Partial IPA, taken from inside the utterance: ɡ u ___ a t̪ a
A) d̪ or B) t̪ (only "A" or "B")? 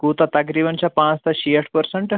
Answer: B